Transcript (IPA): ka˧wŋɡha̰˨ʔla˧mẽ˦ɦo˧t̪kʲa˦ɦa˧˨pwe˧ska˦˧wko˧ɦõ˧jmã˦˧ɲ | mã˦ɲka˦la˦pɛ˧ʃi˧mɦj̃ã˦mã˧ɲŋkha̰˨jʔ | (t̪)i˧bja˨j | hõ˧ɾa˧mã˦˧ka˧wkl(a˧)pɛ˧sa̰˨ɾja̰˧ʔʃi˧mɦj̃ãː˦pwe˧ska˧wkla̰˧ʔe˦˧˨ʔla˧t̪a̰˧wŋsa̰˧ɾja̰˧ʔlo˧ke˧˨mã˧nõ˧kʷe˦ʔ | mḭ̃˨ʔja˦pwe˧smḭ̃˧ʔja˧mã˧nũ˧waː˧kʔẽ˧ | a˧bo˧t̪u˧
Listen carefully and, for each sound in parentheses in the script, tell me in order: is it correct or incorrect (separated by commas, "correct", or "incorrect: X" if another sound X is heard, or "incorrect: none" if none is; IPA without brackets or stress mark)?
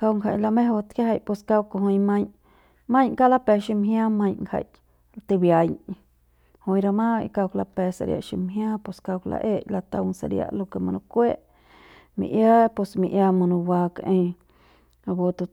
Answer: correct, correct